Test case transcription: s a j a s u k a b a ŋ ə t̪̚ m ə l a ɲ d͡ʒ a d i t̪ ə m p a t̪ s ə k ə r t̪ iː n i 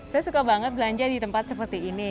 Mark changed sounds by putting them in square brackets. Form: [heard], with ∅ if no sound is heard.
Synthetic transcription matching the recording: s a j a s u k a b a ŋ ə t̪̚ [b] ə l a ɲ d͡ʒ a d i t̪ ə m p a t̪ s ə [p] ə r t̪ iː n i